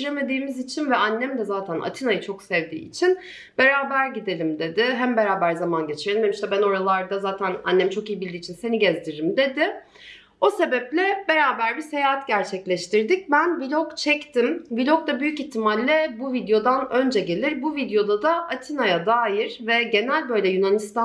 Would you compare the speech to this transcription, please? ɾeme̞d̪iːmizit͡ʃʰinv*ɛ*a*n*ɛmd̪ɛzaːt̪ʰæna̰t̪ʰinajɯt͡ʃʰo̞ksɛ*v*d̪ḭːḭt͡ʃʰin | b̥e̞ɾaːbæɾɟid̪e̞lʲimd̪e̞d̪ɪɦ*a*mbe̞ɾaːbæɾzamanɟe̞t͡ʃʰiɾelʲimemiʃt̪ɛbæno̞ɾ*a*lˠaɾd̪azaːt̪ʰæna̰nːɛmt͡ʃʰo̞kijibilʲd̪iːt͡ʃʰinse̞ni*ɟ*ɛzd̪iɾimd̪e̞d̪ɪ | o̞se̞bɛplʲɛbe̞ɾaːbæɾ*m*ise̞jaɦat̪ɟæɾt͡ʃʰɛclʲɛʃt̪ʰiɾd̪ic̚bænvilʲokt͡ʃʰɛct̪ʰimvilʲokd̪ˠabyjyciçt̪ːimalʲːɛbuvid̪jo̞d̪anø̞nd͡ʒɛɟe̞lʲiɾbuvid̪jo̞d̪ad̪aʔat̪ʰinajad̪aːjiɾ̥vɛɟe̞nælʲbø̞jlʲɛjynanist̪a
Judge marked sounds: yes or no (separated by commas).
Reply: yes, no, yes, no, yes, yes, no